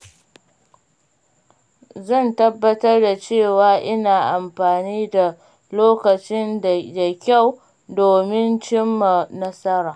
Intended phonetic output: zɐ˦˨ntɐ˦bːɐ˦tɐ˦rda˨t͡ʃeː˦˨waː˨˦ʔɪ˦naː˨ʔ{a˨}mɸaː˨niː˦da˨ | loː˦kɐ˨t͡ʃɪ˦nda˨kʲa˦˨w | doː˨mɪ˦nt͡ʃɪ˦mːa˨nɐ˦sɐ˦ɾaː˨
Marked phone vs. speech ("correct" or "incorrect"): correct